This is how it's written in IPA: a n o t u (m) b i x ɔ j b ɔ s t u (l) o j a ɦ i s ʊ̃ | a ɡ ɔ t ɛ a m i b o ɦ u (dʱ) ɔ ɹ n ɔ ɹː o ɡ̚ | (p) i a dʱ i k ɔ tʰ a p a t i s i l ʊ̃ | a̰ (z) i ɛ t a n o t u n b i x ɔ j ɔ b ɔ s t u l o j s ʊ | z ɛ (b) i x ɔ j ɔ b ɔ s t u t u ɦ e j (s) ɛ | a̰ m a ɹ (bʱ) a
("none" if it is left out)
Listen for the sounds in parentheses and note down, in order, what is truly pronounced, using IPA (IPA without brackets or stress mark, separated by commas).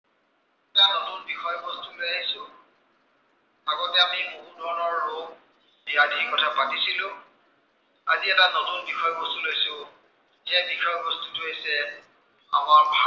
n, l, dʱ, b, z, b, s, bʱ